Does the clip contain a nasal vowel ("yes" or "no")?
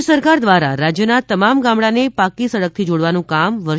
yes